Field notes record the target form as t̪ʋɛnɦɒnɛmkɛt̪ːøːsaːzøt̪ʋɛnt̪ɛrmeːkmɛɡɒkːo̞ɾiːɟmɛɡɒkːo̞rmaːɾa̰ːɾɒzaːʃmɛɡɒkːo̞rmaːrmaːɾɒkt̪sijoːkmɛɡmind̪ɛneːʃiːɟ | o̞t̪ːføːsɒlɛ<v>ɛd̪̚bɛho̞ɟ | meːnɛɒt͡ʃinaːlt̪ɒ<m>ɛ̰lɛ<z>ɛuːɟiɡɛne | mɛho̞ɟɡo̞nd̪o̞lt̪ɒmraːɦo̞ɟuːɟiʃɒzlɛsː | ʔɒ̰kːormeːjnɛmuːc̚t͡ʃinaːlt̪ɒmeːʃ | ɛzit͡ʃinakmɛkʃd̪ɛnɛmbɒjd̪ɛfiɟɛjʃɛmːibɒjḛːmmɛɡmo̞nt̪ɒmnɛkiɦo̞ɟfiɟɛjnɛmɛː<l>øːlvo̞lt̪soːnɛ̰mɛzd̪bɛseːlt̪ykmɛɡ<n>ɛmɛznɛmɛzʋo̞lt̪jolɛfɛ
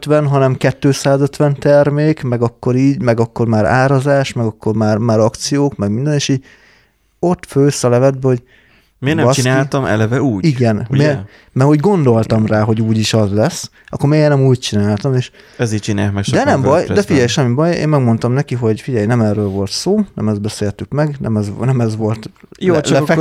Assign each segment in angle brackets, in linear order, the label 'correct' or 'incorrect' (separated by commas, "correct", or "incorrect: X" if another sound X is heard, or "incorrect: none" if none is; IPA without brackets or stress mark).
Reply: correct, correct, incorrect: v, incorrect: r, correct